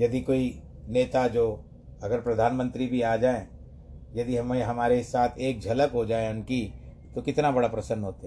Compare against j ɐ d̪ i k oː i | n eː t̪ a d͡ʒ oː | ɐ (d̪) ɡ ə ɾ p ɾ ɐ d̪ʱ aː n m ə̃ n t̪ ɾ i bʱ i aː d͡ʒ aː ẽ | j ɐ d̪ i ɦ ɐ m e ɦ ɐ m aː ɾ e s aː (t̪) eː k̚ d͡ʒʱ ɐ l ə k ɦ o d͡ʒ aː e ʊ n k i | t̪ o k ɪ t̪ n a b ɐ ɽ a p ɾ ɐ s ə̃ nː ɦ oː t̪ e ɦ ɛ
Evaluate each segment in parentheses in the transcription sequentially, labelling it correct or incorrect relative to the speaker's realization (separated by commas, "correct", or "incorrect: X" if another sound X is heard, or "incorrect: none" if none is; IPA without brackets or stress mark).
incorrect: none, incorrect: t̪ʰ